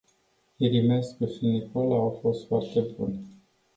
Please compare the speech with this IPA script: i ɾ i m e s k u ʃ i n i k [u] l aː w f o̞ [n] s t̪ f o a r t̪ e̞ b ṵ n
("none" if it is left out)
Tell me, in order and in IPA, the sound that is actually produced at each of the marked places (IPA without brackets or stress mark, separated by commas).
o, none